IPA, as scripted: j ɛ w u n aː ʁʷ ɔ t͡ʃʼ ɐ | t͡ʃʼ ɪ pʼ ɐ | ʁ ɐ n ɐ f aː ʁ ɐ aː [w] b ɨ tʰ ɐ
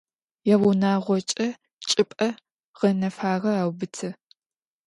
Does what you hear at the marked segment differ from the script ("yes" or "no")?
no